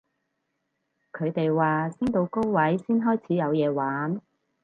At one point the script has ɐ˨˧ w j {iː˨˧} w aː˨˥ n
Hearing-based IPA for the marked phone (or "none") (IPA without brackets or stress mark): ɛː˨˧